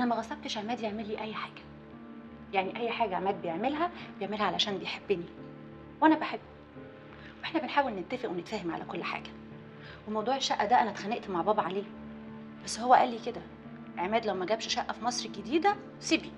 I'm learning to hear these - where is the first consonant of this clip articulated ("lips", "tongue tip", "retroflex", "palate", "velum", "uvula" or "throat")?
throat